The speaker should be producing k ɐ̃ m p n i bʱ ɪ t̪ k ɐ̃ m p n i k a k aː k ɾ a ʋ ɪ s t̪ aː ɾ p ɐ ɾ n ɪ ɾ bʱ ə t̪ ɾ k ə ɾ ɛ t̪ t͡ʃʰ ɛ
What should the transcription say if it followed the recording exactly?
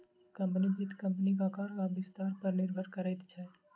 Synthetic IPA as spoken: k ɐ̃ m p n i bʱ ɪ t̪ k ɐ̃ m p n i k a k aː ɾ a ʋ ɪ s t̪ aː ɾ p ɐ ɾ n ɪ ɾ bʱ ə ɾ k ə ɾ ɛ t̪ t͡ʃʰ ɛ